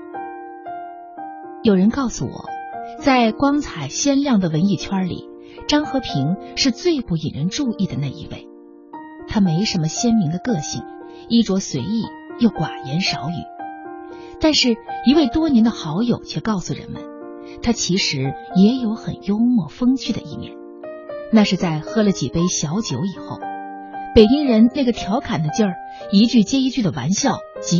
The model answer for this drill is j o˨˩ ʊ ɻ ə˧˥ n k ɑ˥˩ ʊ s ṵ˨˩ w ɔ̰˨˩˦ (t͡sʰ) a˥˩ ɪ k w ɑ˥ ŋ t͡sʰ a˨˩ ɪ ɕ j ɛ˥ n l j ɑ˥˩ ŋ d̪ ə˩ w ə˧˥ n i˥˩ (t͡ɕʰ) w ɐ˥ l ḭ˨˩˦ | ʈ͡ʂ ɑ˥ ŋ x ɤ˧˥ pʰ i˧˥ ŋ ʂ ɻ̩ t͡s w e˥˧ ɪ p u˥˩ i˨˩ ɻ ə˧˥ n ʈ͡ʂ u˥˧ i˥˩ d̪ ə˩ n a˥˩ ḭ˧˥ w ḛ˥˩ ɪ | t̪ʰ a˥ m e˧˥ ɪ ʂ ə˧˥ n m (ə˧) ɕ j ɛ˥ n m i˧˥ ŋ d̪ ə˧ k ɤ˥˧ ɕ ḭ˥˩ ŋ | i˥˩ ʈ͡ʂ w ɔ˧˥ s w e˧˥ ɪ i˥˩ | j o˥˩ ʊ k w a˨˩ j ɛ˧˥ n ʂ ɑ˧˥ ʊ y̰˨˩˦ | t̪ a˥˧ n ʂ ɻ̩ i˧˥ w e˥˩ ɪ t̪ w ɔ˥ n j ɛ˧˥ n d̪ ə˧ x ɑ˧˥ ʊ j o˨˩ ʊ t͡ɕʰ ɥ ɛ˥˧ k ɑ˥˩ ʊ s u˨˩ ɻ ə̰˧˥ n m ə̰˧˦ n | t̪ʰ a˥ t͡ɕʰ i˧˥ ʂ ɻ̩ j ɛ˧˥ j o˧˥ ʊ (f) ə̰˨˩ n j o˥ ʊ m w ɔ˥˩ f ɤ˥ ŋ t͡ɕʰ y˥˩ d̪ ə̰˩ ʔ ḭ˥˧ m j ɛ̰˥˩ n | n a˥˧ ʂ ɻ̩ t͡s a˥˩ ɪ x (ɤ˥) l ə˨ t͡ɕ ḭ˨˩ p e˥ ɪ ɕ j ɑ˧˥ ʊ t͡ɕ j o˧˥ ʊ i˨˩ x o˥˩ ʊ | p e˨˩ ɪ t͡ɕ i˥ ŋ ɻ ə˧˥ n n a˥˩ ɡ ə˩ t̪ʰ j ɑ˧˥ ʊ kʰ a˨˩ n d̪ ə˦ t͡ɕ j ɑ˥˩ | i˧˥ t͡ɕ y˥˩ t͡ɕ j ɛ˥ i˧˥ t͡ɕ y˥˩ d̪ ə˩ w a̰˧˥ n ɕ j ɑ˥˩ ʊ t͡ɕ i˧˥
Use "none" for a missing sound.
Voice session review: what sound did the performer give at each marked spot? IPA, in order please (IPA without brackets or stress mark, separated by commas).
t͡s, t͡ɕʰ, ə˧, x, ɤ˥